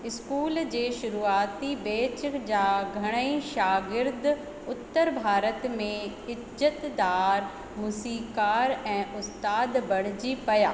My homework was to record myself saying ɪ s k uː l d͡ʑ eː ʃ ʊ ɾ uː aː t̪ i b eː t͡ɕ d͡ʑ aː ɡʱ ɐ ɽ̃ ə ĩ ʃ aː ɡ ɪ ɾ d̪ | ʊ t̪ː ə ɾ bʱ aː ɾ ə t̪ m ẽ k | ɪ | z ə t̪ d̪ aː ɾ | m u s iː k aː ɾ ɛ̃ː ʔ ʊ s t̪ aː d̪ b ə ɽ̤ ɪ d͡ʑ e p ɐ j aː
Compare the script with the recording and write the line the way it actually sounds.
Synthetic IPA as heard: ɪ s k uː l d͡ʑ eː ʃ ʊ ɾ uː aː t̪ i b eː t͡ɕ d͡ʑ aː ɡʱ ɐ ɽ̃ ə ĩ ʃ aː ɡ ɪ ɾ d̪ | ʊ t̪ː ə ɾ bʱ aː ɾ ə t̪ m ẽ | ɪ | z ə t̪ d̪ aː ɾ | m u s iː k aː ɾ ɛ̃ː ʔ ʊ s t̪ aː d̪ b ɐ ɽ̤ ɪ d͡ʑ i p ɐ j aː